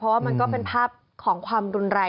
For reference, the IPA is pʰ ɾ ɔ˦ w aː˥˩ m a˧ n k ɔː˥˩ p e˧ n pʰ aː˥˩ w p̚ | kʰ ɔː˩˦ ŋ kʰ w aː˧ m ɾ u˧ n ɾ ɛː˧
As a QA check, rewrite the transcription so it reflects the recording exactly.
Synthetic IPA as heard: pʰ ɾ ɔ˦ w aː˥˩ m a˧ n k ɔː˥˩ p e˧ n pʰ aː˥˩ p̚ | kʰ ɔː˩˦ ŋ kʰ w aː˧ m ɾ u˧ n ɾ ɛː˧

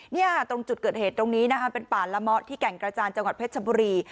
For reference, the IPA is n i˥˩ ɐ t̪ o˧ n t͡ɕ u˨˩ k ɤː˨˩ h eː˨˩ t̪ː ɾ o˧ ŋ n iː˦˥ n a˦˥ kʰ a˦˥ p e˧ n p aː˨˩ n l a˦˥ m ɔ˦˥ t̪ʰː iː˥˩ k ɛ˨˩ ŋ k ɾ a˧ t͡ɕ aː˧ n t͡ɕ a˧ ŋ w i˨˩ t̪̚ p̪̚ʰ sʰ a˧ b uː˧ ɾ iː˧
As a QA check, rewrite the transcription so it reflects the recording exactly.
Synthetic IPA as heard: n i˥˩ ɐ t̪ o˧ ŋ t͡ɕ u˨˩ k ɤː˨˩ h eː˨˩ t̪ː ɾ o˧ ŋ n iː˦˥ n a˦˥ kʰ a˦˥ p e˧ n p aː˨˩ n l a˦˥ m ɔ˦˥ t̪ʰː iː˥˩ k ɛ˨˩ ŋ k ɾ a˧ t͡ɕ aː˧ n t͡ɕ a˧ ŋ w a˨˩ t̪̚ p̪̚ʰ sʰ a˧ b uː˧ ɾ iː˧

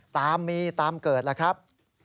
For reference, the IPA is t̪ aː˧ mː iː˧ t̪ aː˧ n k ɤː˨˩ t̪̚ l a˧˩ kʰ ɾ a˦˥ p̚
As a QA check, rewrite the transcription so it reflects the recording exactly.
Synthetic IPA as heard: t̪ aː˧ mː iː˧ t̪ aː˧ m k ɤː˨˩ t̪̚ l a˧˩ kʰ ɾ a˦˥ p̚

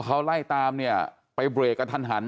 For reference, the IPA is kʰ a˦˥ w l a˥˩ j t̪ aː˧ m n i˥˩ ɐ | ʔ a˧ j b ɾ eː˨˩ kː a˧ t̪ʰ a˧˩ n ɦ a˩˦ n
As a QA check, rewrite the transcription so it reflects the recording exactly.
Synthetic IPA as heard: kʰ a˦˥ w l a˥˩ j t̪ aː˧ m n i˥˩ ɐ | p a˧ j b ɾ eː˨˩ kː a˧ t̪ʰ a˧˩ n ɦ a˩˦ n

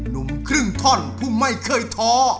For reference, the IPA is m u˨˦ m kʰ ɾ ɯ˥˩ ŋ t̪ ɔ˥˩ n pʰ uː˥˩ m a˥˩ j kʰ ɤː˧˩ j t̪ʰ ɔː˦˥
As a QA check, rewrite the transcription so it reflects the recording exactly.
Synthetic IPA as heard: n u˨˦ m kʰ ɾ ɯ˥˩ ŋ t̪ʰ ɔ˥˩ n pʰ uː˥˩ m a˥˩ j kʰ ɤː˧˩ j t̪ʰ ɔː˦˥

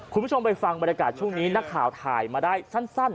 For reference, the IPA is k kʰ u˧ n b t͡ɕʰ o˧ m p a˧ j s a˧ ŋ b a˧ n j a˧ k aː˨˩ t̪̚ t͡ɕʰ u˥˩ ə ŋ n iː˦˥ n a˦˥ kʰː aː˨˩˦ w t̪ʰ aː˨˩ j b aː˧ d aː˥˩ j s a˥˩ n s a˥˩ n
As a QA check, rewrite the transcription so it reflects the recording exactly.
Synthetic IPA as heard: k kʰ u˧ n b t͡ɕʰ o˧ m p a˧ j f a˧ ŋ b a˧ n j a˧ k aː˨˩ t̪̚ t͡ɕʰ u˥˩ ə ŋ n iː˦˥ n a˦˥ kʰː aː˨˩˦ w t̪ʰ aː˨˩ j m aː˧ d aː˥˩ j s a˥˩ n s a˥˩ n

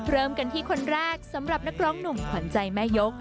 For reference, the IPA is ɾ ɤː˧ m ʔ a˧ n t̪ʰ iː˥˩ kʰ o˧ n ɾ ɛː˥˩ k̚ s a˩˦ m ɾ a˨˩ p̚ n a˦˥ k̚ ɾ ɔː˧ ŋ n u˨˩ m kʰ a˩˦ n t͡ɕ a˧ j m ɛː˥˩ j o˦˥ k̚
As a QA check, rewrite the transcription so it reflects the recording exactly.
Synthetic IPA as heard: ɾ ɤː˧ m k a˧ n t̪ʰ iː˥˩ kʰ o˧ n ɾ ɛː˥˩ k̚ s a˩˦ m ɾ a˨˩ p̚ n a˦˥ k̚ ɾ ɔː˦˥ ŋ n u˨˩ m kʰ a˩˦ n t͡ɕ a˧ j m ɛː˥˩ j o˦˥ k̚

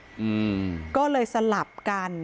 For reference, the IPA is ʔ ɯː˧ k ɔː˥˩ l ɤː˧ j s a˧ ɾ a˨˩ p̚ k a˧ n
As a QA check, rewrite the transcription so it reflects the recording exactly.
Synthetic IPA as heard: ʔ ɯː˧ k ɔː˥˩ l ɤː˧ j s a˧ l a˨˩ p̚ k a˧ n

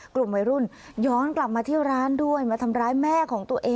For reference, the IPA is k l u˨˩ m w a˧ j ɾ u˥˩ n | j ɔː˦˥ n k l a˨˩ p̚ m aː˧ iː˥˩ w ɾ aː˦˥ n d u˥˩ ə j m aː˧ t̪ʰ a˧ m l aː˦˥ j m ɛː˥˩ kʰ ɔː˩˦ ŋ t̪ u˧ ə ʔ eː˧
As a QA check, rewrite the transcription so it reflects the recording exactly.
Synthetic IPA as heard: k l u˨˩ m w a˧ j ɾ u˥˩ n | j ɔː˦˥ n k l a˨˩ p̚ m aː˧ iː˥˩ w ɾ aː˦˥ n d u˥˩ ə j m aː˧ t̪ʰ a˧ m ɾ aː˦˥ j m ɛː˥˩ kʰ ɔː˩˦ ŋ t̪ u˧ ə ʔ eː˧

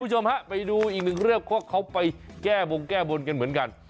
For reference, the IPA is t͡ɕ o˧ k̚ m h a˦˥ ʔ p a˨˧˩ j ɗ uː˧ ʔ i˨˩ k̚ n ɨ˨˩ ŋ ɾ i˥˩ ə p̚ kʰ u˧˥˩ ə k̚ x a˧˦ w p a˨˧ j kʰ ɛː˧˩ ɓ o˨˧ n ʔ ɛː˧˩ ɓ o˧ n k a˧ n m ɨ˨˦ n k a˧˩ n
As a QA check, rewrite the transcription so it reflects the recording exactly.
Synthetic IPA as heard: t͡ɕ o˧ m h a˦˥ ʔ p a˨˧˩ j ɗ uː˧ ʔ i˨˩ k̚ n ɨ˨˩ ŋ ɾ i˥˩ ə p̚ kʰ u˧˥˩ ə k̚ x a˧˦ w p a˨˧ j k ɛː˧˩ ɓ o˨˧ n k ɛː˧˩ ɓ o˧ n k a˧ n m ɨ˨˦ n k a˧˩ n

